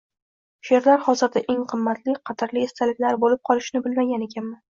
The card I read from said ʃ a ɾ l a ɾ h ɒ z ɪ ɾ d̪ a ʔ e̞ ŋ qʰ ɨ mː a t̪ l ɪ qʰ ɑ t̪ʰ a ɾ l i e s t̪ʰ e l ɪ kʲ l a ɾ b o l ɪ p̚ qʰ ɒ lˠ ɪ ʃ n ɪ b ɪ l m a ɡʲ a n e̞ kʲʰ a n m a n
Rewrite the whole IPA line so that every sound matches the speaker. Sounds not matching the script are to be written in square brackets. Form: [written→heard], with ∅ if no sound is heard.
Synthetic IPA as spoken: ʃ [a→e] ɾ l a ɾ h ɒ z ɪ ɾ d̪ a ʔ e̞ ŋ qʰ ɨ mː a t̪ l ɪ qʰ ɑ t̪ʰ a ɾ l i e s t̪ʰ [e→a] l ɪ kʲ l a ɾ b o l ɪ p̚ qʰ ɒ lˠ ɪ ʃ n ɪ b ɪ l m a ɡʲ a n e̞ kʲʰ a n m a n